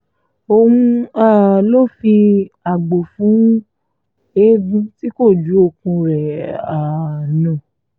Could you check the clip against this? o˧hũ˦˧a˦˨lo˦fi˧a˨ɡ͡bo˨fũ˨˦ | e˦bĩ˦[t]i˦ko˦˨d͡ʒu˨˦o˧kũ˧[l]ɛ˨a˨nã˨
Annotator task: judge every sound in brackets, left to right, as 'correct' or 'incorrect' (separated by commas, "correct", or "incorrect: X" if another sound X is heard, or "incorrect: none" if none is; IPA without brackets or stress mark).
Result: correct, incorrect: ɾ